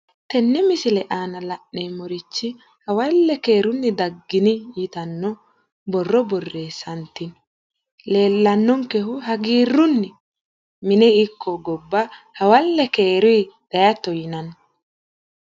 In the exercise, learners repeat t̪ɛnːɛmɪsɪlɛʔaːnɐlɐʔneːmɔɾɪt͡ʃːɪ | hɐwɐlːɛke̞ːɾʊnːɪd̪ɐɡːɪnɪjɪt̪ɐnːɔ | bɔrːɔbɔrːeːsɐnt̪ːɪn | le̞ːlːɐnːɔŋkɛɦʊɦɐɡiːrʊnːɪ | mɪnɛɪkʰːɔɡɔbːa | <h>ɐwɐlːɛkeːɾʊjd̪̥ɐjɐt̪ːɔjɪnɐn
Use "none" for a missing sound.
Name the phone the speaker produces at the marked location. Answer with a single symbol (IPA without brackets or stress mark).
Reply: h